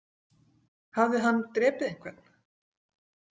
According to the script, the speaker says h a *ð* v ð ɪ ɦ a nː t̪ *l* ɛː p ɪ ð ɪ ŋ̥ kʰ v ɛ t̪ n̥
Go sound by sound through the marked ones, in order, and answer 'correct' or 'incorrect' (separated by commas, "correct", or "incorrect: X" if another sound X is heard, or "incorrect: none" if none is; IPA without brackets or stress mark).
incorrect: none, incorrect: ɾ